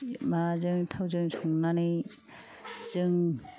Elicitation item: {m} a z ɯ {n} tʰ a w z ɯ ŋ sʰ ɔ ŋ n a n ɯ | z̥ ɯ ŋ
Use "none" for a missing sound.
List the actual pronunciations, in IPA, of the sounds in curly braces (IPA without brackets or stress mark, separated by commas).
m, ŋ